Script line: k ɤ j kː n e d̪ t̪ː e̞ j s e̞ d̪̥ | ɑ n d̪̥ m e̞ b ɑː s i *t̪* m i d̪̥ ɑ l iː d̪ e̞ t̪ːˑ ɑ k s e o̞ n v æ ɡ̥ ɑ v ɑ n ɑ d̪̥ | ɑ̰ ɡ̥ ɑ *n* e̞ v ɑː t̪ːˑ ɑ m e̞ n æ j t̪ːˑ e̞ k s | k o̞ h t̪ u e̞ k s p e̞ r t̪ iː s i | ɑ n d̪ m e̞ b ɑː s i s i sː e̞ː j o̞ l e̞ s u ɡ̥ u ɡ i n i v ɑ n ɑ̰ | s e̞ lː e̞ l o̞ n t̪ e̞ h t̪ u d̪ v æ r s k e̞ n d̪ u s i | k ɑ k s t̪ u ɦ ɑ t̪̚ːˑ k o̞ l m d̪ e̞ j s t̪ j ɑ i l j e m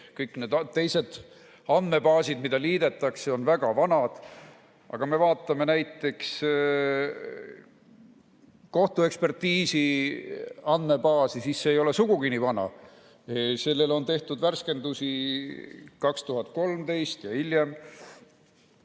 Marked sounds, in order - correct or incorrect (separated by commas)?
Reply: incorrect, incorrect